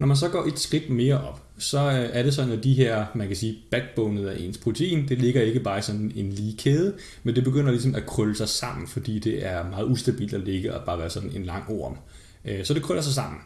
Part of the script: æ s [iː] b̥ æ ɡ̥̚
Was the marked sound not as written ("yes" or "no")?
no